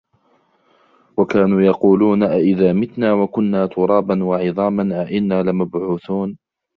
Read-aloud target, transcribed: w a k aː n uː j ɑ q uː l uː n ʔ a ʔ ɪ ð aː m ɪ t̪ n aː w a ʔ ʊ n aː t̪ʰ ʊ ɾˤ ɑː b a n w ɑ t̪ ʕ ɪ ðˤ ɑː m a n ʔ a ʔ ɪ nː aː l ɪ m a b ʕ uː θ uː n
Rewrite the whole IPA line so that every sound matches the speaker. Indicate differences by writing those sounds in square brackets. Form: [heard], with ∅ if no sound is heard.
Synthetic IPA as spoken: w a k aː n uː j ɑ q uː l uː n ʔ a ʔ ɪ ð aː m ɪ t̪ n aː w a [k] ʊ [nː] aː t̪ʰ ʊ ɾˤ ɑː b a n w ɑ [∅] ʕ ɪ ðˤ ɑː m a n ʔ a ʔ ɪ nː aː l ɪ m a b ʕ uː θ uː n